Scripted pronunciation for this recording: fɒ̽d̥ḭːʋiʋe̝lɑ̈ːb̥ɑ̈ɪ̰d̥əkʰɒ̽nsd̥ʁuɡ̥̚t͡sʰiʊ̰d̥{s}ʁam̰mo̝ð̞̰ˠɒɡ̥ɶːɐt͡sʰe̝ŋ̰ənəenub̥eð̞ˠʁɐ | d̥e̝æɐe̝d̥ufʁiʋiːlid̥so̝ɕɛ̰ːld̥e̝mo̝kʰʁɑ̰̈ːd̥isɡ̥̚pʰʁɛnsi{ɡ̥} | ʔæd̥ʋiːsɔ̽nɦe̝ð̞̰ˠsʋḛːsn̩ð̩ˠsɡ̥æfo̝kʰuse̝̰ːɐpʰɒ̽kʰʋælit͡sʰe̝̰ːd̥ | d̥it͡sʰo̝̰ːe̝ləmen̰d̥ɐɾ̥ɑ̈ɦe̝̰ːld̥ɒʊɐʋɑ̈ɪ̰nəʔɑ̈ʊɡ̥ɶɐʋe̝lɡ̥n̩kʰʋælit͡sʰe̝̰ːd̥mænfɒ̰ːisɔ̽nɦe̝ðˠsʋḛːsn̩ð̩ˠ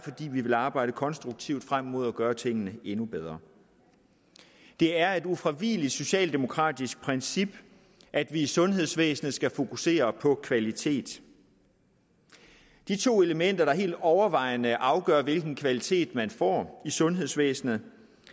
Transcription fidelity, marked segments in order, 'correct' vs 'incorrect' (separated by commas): incorrect, incorrect